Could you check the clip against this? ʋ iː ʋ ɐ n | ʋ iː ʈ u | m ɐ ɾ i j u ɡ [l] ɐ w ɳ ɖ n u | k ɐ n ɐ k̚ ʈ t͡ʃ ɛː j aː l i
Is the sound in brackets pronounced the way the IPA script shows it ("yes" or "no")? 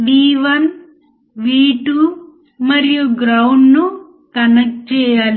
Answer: no